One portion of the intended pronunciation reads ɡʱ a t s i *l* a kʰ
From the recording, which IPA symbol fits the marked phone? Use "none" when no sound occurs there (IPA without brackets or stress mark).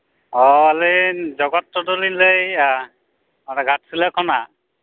l